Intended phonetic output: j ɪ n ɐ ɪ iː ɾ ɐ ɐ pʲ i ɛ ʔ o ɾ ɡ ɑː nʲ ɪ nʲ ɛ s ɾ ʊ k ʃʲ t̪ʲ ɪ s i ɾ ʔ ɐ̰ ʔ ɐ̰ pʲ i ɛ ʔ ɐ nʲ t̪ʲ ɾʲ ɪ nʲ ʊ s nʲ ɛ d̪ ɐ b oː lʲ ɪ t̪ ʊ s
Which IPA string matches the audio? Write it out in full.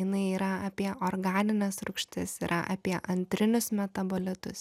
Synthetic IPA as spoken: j ɪ n ɐ ɪ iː ɾ ɐ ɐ pʲ i ɛ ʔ o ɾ ɡ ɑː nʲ ɪ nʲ ɛ s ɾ ʊ k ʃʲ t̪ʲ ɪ s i ɾ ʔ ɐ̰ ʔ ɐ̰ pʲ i ɛ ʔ ɐ nʲ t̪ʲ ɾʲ ɪ nʲ ʊ s mʲ ɛ t̪ ɐ b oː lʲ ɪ t̪ ʊ s